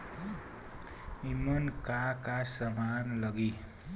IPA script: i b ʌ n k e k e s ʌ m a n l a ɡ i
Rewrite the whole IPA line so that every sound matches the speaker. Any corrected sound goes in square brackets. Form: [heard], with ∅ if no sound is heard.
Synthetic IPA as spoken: i [m] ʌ n k [a] k [a] s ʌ m a n l [ʌ] ɡ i